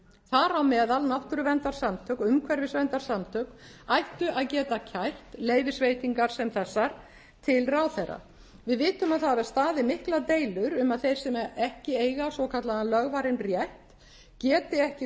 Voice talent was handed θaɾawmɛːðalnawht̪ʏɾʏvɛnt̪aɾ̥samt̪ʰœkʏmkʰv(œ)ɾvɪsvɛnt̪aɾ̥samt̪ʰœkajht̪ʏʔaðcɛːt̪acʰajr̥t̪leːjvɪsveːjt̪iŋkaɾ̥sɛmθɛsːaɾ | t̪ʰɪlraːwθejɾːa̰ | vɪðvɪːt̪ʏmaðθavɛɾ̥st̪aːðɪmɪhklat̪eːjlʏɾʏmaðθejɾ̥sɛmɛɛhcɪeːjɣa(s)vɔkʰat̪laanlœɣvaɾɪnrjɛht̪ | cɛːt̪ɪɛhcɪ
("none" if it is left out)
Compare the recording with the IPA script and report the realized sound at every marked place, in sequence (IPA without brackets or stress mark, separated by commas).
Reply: ɛ, s